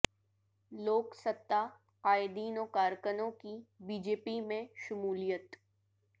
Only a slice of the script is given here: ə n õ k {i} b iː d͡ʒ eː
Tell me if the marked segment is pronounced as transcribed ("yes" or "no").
yes